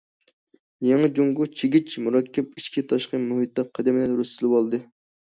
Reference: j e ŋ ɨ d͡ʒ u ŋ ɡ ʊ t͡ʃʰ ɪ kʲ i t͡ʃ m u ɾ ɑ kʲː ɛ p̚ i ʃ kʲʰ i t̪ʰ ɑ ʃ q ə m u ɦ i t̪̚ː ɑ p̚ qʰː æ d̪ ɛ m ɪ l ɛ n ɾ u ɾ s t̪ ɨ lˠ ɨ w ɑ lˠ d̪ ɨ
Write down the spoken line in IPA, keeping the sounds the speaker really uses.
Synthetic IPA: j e ŋ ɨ d͡ʒ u ŋ ɡ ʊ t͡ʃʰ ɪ ɡʲ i t͡ʃ m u ɾ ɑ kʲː ɛ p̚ i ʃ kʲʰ i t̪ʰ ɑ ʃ q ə m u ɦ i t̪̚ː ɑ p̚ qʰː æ d̪ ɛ m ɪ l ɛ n ɾ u s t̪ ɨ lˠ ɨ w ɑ lˠ d̪ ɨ